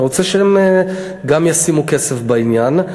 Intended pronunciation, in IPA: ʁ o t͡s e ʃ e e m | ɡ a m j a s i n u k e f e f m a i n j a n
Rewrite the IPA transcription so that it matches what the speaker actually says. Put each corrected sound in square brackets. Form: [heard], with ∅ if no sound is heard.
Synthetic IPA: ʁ o t͡s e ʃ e e m | ɡ a m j a s i [m] u k e [s] e f [b] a i n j a n